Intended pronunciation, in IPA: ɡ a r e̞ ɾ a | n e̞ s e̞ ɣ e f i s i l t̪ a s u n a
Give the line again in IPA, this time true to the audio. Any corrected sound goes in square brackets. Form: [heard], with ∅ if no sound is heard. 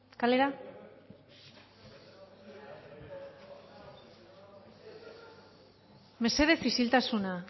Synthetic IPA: [k] a [l] e̞ ɾ a | [m] e̞ s e̞ [ð] e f i s i l t̪ a s u n a